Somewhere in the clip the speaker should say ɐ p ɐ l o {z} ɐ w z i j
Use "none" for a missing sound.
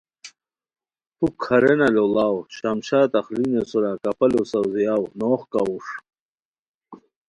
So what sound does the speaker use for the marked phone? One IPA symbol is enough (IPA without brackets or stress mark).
s